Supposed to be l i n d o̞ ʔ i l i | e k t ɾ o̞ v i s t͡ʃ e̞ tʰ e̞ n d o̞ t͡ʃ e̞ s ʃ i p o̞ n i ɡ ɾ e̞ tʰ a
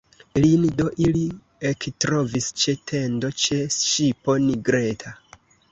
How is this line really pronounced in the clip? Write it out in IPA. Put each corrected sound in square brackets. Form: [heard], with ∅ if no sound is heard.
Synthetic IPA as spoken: l i n d o̞ ʔ i l i | e k t ɾ o̞ v i s t͡ʃ e̞ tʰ e̞ n d o̞ t͡ʃ e̞ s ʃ i p o̞ n i ɡ ɾ e̞ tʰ a

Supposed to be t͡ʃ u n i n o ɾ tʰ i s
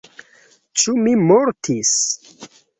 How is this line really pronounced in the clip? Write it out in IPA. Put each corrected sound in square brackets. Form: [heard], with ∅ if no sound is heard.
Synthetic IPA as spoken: t͡ʃ u [m] i [m] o ɾ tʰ i s

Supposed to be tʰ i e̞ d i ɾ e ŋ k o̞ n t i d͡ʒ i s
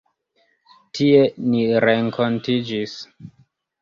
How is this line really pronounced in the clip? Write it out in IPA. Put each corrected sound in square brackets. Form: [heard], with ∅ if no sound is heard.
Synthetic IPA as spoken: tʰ i e̞ [n] i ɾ e ŋ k o̞ n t i d͡ʒ i s

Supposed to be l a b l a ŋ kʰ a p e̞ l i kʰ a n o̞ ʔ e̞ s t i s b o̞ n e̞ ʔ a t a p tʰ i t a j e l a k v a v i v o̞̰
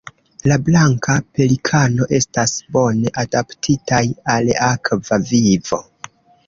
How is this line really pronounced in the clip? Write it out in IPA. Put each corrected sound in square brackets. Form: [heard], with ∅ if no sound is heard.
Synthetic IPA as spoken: l a b l a ŋ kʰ a p e̞ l i kʰ a n o̞ ʔ e̞ s t [a] s b o̞ n e̞ ʔ a [d] a p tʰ i t a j [a] l a k v a v i v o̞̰

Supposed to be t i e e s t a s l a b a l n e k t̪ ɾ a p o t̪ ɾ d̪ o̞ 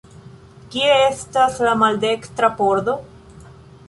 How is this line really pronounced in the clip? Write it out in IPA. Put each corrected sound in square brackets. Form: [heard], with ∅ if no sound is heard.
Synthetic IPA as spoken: [k] i e e s t a s l a [m] a l [d] e k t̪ ɾ a p o [∅] ɾ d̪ o̞

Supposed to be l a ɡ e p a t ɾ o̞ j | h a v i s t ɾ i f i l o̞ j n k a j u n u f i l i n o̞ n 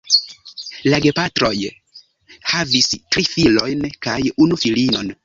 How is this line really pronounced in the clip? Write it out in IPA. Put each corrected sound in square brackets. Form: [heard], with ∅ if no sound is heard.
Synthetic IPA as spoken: l a ɡ e p a t ɾ o̞ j | h a v i s t ɾ i f i l o̞ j n k a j u n u f i l i n o̞ n

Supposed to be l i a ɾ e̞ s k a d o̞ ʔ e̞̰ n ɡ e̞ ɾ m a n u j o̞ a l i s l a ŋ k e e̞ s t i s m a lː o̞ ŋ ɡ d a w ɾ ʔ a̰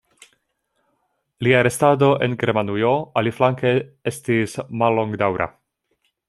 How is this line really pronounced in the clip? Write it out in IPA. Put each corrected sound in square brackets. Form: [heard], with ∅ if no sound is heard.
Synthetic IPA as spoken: l i a ɾ e̞ s [t] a d o̞ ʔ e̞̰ n ɡ e̞ ɾ m a n u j o̞ a l i [f] l a ŋ k e e̞ s t i s m a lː o̞ ŋ ɡ d a w ɾ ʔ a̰

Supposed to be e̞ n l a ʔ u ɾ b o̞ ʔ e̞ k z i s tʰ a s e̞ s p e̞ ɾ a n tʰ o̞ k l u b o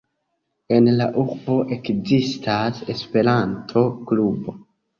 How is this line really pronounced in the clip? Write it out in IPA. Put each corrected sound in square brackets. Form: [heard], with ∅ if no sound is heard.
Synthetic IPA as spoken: e̞ n l a ʔ u ɾ b o̞ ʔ e̞ k z i s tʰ a s e̞ s p e̞ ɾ a n tʰ o̞ k l u b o

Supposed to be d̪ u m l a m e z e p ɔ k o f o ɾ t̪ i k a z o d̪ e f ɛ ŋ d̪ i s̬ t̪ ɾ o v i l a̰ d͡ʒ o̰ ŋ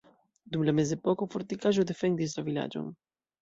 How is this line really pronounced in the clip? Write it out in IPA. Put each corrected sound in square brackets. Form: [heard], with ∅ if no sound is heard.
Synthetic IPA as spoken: d̪ u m l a m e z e p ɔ k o f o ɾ t̪ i k a [ʒ] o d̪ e f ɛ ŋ d̪ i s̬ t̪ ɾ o v i l a̰ d͡ʒ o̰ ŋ

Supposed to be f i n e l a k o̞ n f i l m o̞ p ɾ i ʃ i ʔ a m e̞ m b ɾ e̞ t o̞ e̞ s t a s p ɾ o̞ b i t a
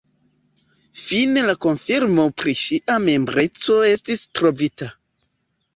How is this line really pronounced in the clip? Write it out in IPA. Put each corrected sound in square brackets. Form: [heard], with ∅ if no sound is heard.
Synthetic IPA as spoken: f i n e l a k o̞ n f i [ɾ] m o̞ p ɾ i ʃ i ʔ a m e̞ m b ɾ e̞ [t͡s] o̞ e̞ s t [i] s [t] ɾ o̞ [v] i t a

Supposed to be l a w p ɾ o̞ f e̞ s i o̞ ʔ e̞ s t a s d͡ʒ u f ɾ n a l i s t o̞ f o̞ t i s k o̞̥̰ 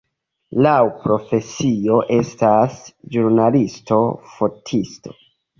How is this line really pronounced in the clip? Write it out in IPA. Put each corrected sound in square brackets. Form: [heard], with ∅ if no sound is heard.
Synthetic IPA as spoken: l a w p ɾ o̞ f e̞ s i o̞ ʔ e̞ s t a s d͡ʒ u [∅] ɾ n a l i s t o̞ f o̞ [tʰ] i s [t] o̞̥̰

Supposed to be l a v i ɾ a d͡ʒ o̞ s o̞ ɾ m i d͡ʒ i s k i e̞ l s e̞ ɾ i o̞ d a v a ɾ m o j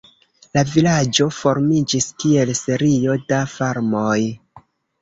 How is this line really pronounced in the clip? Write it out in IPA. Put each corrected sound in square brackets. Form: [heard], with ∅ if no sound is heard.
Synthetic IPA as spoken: l a v i [l] a d͡ʒ o̞ [f] o̞ ɾ m i d͡ʒ i s k i e̞ l s e̞ ɾ i o̞ d a [f] a ɾ m o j

